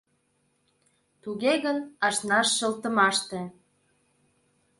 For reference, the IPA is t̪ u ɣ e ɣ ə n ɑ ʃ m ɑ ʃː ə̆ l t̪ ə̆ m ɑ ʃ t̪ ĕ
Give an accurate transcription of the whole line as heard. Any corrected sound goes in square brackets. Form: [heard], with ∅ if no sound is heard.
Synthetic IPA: t̪ u ɣ e ɣ ə n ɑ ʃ [n] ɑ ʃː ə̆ l t̪ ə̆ m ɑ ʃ t̪ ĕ